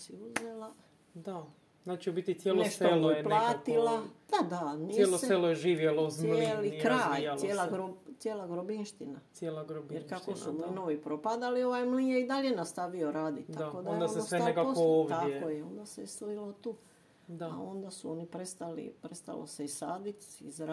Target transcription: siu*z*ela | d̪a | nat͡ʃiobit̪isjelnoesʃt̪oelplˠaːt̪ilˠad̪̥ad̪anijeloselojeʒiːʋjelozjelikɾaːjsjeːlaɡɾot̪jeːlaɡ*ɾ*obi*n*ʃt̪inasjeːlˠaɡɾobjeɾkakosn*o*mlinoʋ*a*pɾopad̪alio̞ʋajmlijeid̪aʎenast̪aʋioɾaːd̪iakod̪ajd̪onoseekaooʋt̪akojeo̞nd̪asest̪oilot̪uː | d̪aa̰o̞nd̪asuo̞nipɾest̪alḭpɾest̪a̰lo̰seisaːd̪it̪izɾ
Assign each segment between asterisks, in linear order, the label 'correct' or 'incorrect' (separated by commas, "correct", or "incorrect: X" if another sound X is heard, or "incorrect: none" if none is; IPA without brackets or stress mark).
correct, correct, correct, incorrect: u, incorrect: i